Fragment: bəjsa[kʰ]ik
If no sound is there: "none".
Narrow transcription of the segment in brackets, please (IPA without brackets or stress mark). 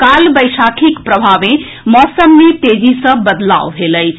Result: kʰ